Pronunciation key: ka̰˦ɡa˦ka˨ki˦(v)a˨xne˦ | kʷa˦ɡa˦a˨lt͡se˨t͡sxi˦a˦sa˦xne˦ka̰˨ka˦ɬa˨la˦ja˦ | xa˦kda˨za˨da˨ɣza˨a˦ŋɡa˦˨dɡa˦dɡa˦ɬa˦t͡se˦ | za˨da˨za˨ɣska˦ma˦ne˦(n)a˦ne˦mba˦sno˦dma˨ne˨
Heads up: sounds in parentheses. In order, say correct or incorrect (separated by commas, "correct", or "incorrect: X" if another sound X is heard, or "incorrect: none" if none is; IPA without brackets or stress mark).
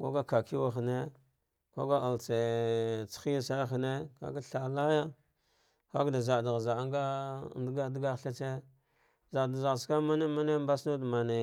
incorrect: w, incorrect: m